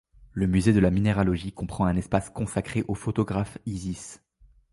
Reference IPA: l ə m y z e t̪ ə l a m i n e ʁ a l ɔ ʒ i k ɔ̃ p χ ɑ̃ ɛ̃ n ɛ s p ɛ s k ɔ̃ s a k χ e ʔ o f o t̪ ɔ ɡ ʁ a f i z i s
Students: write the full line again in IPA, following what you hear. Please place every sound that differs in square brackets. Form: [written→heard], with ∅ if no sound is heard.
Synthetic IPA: l ə m y z e [t̪→d̪] ə l a m i n e ʁ a l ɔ ʒ i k ɔ̃ p χ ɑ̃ ɛ̃ n ɛ s p [ɛ→a] s k ɔ̃ s a k χ e ʔ o f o t̪ ɔ ɡ ʁ a f i z i s

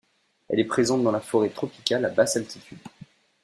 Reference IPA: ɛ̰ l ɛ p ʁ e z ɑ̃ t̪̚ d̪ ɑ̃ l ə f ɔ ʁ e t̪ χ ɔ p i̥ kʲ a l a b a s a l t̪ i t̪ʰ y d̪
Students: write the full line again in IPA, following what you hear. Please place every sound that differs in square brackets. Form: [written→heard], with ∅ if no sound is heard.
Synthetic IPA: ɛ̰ l ɛ p [ʁ→χ] e z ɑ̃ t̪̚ d̪ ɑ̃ l [ə→a] f ɔ ʁ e t̪ χ ɔ p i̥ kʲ a l a b a s a l t̪ i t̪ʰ y d̪

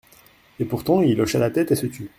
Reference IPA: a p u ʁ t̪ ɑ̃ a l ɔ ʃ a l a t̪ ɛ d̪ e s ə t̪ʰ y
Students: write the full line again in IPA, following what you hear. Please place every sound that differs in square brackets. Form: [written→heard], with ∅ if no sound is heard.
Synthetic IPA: [a→e] p u ʁ t̪ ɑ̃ [a→i] l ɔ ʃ a l a t̪ ɛ [d̪→t̪] e s ə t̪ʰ y

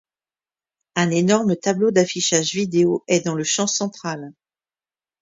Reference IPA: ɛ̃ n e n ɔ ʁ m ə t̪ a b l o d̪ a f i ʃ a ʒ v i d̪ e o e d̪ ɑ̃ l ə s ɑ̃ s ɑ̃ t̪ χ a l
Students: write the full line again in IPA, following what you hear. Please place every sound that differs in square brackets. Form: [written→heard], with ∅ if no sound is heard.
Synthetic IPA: ɛ̃ n e n ɔ ʁ m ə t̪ a b l o d̪ a f i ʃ a ʒ v i d̪ e o [e→ɛ] d̪ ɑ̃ l ə [s→ʃ] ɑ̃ s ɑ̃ t̪ χ a l

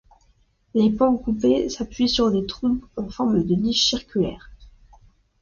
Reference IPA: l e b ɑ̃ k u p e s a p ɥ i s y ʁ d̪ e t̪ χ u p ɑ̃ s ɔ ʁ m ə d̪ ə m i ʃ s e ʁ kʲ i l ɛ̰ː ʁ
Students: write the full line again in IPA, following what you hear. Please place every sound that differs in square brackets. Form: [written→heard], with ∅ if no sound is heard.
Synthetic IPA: l e [b→p] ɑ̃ k u p e s a p ɥ i s y ʁ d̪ e t̪ χ u p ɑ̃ [s→f] ɔ ʁ m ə d̪ ə [m→n] i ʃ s [e→i] ʁ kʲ [i→y] l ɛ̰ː ʁ

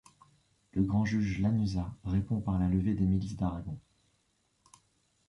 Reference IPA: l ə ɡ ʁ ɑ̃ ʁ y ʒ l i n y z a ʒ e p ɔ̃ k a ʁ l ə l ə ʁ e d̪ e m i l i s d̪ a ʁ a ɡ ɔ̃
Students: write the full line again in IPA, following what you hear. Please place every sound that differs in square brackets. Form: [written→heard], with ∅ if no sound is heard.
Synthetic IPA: l ə ɡ ʁ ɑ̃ [ʁ→ʒ] y ʒ l [i→a] n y z a [ʒ→ʁ] e p ɔ̃ [k→p] a ʁ l [ə→a] l ə [ʁ→v] e d̪ e m i l i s d̪ a ʁ a ɡ ɔ̃

